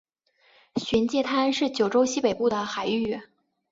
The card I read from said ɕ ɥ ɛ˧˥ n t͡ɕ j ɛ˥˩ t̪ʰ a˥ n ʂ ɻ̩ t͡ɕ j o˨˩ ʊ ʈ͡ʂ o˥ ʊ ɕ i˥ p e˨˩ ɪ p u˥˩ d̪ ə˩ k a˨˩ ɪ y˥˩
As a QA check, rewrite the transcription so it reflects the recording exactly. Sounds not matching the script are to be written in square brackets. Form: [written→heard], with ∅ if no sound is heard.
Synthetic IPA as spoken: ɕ ɥ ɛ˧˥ n t͡ɕ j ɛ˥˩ t̪ʰ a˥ n ʂ ɻ̩ t͡ɕ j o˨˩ ʊ ʈ͡ʂ o˥ ʊ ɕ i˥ p e˨˩ ɪ p u˥˩ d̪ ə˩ [k→x] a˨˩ ɪ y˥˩